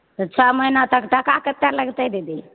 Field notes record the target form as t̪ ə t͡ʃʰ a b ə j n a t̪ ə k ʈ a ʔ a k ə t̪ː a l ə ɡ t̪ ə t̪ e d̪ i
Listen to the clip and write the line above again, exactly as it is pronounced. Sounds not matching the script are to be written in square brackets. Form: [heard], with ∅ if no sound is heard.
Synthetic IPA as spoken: t̪ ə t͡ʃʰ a [m] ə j n a t̪ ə k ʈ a [k] a k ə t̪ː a l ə ɡ t̪ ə [d̪] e d̪ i